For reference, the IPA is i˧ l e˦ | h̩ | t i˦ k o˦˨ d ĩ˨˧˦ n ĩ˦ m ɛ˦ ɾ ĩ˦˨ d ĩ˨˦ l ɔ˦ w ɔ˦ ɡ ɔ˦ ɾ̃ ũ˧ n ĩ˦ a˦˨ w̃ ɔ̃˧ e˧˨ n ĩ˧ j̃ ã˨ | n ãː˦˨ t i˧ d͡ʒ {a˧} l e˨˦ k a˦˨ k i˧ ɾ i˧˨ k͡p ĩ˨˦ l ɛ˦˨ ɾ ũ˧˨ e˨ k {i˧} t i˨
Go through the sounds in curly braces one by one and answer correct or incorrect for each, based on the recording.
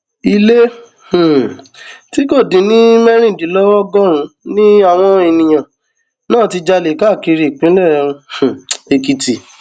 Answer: correct, correct

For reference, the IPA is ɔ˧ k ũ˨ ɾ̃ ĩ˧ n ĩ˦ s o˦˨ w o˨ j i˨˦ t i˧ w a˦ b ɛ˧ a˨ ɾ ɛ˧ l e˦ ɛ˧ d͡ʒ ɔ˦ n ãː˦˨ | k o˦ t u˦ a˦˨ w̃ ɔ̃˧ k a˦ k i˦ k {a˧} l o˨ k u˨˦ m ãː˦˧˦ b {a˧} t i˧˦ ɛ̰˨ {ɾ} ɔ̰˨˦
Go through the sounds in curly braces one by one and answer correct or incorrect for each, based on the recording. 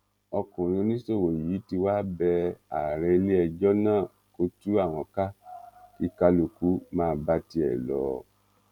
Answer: correct, correct, incorrect: l

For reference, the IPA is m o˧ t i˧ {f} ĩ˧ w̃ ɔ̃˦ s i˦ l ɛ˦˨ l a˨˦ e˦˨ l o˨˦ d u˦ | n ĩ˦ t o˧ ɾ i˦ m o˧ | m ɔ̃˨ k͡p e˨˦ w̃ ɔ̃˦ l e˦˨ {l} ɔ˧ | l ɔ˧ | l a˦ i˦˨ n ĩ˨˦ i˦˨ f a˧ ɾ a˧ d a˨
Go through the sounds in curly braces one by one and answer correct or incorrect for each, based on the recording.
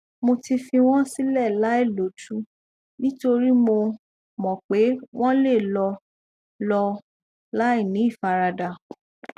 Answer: correct, correct

